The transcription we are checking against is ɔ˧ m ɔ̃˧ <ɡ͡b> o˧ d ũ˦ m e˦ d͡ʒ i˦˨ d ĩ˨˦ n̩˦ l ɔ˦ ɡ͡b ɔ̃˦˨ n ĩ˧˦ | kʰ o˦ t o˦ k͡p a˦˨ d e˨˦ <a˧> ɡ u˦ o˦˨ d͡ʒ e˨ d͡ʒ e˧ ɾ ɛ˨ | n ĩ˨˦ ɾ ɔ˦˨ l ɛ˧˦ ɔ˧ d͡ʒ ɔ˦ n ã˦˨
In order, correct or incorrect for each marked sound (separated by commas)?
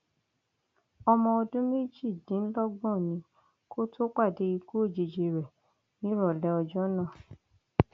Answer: incorrect, incorrect